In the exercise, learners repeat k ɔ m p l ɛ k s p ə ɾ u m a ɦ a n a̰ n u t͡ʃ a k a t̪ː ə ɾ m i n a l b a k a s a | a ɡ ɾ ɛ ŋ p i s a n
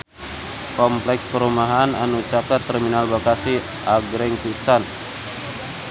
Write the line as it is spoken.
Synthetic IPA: k ɔ m p l ɛ k s p ə ɾ u m a ɦ a n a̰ n u t͡ʃ a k a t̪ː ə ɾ m i n a l b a k a s i | a ɡ ɾ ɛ ŋ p i s a n